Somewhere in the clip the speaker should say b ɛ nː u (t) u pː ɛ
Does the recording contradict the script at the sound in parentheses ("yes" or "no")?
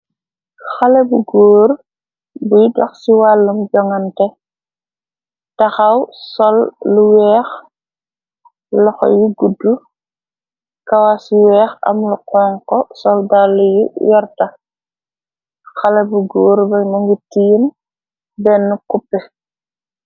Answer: yes